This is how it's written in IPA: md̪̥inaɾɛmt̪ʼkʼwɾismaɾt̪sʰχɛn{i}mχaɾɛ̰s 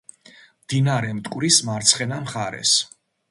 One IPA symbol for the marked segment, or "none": a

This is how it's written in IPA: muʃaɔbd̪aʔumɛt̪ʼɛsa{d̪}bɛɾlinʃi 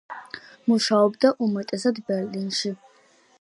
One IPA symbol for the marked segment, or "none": d̪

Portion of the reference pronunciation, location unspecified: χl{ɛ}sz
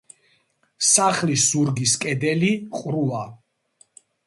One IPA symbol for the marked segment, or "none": i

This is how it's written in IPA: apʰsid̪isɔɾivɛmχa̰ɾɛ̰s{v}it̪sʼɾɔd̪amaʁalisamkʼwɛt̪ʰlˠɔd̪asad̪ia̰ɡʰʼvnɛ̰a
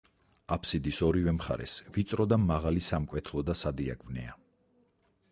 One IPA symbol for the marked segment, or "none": v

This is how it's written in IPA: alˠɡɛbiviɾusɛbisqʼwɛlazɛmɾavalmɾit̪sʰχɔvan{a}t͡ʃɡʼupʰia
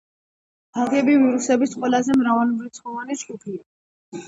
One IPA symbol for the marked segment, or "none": i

